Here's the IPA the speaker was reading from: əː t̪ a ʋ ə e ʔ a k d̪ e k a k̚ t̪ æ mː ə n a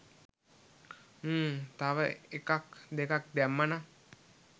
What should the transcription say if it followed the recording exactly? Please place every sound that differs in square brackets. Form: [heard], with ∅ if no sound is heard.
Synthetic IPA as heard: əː t̪ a ʋ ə e [k] a k d̪ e k a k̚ [d̪] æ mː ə n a